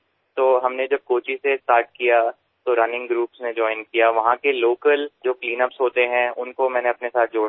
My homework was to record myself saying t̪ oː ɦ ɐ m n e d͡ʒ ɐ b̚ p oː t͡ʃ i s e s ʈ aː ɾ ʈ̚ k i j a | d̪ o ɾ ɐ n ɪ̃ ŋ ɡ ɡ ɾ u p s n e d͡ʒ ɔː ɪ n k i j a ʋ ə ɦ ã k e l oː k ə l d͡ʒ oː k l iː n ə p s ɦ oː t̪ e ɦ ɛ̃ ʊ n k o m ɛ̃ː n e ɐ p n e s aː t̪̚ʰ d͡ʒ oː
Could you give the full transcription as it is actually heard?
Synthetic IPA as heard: t̪ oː ɦ ɐ m n e d͡ʒ ɐ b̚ k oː t͡ʃ i s e s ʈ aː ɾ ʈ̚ k i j a | t̪ o ɾ ɐ n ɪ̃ ŋ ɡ ɡ ɾ uː p s n e d͡ʒ ɔː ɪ n k i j a ʋ ɐ ɦ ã k e l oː k ə l d͡ʒ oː k l iː n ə p s ɦ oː t̪ e ɦ ɛ̃ ʊ n k o m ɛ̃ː n e ɐ p n e s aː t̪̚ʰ d͡ʒ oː